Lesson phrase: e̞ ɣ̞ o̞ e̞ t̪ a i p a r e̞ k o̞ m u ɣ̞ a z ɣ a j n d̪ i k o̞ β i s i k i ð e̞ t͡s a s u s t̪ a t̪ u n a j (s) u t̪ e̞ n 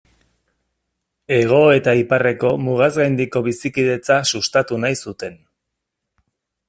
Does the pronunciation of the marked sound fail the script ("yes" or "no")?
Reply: no